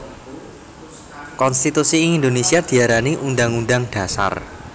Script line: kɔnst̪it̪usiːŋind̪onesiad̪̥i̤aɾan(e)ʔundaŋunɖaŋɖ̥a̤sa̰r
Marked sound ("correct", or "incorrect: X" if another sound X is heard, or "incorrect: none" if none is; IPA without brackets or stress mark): incorrect: i